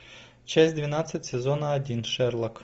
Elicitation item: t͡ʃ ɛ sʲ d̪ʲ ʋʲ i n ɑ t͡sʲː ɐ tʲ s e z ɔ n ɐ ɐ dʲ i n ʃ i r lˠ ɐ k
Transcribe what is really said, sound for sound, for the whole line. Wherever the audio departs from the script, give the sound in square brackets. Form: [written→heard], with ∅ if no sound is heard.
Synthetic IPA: t͡ʃ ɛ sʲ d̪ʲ ʋʲ i n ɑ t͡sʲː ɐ tʲ s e z ɔ n ɐ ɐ dʲ i n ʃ [i→ɛ] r lˠ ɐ k